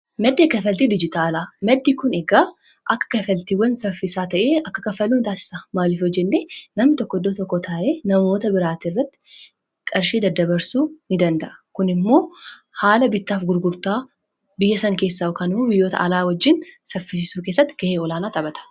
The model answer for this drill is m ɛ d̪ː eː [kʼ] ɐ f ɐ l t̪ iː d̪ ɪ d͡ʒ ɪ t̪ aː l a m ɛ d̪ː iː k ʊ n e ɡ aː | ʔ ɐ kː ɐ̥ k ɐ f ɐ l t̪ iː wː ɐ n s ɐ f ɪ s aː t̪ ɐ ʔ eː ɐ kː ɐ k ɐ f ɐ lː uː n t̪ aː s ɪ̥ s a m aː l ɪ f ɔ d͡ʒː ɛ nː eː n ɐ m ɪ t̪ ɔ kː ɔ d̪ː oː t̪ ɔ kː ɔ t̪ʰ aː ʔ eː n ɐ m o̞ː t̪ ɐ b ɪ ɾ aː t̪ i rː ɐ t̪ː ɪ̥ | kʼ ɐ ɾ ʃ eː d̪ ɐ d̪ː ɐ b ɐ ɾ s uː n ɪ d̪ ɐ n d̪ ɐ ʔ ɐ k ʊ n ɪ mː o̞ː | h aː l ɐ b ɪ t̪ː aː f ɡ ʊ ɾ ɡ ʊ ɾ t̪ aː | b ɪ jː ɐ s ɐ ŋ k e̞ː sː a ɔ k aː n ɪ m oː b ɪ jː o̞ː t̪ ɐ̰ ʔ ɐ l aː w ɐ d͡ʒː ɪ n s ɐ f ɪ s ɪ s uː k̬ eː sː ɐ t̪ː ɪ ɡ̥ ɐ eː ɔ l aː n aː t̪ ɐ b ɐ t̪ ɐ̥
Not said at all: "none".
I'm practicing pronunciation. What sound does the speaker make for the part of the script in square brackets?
k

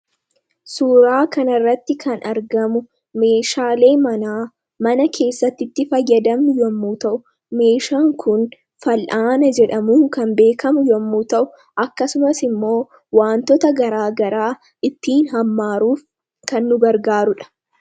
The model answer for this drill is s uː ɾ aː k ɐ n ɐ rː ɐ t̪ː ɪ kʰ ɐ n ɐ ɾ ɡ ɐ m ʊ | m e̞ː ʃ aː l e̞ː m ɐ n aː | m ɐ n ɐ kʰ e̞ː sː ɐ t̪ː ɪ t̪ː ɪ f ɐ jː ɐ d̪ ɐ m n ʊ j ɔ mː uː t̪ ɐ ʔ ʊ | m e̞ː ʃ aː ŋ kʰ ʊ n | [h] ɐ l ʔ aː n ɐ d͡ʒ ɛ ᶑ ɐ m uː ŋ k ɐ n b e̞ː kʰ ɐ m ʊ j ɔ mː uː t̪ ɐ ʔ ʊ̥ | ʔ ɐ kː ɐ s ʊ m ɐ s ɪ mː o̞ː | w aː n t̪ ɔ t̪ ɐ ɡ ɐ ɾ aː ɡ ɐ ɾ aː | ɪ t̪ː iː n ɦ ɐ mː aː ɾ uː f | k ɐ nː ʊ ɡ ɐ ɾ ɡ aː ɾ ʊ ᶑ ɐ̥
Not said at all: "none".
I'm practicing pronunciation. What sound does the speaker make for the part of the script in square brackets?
f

